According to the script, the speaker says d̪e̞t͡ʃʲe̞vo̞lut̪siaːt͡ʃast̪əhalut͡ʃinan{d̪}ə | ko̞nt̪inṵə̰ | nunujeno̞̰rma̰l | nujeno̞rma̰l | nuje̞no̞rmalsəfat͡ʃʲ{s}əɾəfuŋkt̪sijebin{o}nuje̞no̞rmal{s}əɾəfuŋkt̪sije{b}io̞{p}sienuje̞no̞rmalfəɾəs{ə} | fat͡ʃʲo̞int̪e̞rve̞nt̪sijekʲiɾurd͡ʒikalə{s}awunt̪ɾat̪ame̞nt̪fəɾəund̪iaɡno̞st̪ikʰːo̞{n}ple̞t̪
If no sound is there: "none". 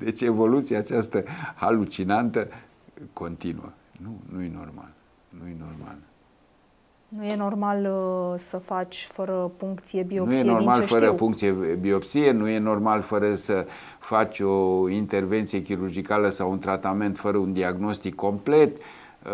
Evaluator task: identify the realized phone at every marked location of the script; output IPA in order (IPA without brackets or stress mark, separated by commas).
t̪, f, o, f, b, p, ə, s, m